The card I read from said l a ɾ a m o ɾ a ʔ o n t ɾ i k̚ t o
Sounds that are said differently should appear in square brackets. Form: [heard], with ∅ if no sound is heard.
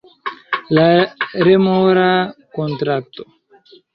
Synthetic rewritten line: l a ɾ [e] m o ɾ a [k] o n t ɾ [a] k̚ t o